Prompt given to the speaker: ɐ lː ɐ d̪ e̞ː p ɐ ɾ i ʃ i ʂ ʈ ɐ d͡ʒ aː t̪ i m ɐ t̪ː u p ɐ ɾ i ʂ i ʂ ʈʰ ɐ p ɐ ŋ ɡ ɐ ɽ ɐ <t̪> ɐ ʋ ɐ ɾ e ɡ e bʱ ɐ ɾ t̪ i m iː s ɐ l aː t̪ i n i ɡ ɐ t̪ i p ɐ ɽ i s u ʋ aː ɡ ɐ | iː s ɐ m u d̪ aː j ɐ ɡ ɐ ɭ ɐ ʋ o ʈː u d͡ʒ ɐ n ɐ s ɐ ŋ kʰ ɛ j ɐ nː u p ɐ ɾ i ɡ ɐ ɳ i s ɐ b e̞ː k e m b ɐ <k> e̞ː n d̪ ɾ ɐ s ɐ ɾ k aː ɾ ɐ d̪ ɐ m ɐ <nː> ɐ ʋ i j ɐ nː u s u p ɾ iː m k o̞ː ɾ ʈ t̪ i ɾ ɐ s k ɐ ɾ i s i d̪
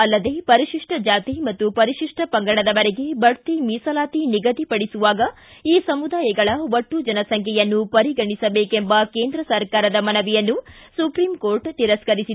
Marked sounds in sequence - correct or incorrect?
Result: incorrect: d̪, correct, incorrect: n

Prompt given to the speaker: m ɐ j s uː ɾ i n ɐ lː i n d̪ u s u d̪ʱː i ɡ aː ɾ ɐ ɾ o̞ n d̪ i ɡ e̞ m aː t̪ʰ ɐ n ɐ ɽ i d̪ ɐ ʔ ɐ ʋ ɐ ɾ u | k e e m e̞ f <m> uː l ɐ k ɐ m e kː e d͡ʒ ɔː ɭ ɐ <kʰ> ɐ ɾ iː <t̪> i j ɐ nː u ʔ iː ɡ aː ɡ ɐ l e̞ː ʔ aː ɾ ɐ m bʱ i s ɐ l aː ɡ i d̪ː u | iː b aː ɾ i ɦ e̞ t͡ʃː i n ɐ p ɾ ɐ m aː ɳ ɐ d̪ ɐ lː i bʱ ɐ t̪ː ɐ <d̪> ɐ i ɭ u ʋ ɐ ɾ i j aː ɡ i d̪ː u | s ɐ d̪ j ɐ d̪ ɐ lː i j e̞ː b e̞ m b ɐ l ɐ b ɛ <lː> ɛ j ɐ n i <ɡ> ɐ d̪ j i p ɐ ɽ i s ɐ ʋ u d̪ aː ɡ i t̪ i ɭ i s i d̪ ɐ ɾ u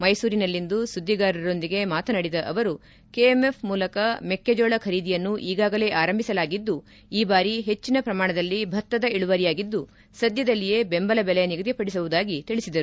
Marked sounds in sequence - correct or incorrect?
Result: correct, correct, incorrect: d̪, correct, incorrect: l, correct

